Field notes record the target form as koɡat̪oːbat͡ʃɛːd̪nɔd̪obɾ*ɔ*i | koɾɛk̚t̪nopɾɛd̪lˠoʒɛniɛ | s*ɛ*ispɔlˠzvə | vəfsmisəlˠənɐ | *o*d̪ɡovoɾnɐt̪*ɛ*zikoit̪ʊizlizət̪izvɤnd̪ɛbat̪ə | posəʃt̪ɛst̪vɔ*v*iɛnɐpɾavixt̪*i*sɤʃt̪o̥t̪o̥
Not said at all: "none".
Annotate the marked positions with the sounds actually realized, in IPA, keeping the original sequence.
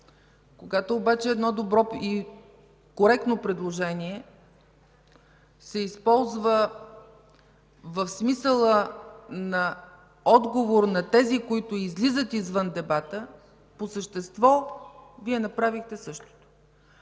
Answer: ɔ, ɛ, ɔ, ɛ, v, ɛ

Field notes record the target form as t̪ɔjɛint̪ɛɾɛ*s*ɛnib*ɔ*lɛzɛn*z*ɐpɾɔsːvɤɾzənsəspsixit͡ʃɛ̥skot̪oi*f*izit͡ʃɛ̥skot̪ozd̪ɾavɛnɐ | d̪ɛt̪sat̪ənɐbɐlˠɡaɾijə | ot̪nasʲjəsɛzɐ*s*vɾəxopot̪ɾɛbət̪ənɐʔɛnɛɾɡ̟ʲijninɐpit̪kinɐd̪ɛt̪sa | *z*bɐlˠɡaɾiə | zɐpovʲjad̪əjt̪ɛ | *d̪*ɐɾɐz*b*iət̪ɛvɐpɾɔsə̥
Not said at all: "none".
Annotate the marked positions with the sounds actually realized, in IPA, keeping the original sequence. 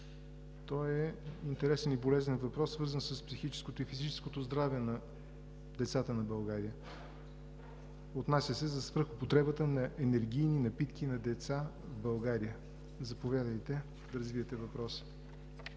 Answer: s, o, v, f, s, v, d̪, v

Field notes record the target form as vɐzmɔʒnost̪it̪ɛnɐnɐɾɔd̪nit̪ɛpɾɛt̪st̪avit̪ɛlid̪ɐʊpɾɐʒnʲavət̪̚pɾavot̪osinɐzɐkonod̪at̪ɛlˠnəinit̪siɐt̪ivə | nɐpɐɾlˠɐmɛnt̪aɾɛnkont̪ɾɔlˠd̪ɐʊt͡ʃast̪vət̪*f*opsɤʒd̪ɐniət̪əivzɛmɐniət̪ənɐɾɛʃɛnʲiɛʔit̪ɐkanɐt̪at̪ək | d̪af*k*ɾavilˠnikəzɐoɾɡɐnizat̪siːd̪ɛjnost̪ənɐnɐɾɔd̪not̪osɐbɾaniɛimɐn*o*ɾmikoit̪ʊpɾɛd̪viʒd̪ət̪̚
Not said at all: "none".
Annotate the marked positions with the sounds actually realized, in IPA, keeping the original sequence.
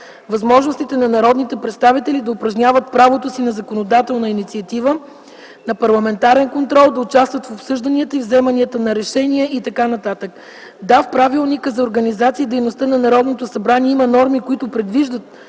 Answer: f, p, ɔ

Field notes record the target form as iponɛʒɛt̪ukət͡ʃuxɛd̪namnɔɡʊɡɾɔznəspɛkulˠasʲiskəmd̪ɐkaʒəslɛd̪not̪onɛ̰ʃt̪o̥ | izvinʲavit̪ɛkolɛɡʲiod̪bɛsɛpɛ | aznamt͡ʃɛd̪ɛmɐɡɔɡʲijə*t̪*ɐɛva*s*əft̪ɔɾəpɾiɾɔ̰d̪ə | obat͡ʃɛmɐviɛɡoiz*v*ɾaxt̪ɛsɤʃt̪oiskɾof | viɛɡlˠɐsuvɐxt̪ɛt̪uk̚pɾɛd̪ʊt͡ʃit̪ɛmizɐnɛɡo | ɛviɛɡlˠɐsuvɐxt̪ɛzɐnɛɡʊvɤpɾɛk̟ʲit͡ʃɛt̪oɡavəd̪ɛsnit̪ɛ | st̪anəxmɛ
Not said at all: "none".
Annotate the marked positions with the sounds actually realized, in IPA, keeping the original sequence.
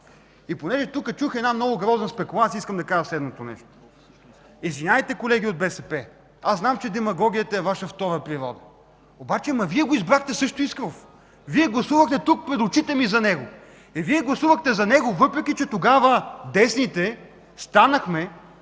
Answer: t̪, ʃ, b

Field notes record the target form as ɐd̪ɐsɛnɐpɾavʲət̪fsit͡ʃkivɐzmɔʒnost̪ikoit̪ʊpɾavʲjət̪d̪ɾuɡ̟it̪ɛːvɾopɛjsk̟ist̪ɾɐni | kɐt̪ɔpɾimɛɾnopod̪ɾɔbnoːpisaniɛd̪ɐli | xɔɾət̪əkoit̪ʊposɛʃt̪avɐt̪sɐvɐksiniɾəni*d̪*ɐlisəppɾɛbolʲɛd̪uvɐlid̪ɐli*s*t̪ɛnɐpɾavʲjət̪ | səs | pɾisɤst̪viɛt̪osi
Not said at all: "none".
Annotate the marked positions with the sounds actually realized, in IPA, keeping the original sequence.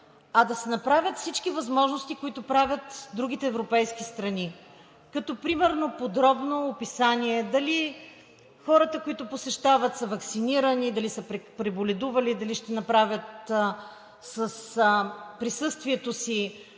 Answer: d̪, ʃ

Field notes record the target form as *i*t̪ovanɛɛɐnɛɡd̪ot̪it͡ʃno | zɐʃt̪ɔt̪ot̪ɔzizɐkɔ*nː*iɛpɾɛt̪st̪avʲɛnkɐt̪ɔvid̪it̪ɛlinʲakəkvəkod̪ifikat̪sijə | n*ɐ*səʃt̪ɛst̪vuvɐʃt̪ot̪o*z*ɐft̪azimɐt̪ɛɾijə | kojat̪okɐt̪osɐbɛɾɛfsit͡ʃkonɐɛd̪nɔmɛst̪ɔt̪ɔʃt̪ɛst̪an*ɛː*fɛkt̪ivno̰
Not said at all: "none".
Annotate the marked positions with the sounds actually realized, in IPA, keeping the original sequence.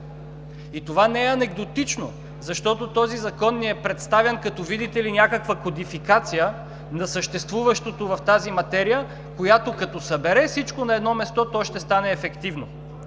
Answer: i, nː, ɐ, v, ɛː

